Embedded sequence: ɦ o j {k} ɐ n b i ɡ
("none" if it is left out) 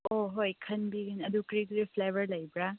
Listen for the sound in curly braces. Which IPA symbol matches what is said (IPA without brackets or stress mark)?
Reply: kʰ